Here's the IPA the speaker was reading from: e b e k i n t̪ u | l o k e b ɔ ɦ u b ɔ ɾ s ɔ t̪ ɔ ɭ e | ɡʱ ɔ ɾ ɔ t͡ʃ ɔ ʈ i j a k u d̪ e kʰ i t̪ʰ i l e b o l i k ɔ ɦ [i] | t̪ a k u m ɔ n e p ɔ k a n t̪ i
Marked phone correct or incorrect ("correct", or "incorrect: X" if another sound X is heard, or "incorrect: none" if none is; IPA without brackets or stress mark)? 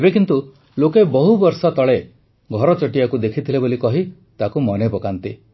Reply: correct